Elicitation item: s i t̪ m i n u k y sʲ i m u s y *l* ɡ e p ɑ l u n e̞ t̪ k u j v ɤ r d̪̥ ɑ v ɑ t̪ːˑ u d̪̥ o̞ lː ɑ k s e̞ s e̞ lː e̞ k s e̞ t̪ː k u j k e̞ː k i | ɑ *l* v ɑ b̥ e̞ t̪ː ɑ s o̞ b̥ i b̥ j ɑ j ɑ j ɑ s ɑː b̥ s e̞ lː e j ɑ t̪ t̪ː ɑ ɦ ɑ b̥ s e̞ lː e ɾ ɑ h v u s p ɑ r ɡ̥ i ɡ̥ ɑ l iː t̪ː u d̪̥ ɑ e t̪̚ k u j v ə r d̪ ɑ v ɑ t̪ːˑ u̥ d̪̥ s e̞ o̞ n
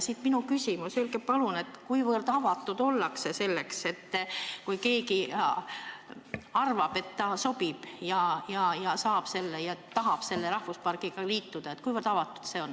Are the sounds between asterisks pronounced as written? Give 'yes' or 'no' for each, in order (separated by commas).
yes, no